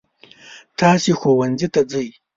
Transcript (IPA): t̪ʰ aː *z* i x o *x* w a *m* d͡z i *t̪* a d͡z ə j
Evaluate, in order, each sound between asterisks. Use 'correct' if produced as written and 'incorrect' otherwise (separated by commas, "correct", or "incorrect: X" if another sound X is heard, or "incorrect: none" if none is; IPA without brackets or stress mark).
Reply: incorrect: s, incorrect: none, incorrect: n, correct